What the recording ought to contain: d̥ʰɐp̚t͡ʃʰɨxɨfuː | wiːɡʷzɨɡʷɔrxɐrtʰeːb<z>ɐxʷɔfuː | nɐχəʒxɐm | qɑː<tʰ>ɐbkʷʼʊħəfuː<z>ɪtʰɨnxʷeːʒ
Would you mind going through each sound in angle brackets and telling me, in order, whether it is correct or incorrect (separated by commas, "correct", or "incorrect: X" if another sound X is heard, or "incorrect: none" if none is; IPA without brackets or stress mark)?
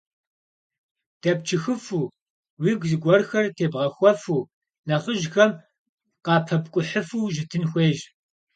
incorrect: ʁ, incorrect: pʰ, incorrect: ʒ